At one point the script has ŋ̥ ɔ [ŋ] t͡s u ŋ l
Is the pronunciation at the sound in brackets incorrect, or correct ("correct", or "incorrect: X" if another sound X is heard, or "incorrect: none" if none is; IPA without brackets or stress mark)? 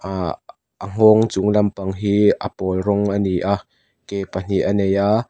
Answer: correct